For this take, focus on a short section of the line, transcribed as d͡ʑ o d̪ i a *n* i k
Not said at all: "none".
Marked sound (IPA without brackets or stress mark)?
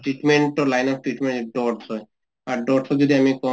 m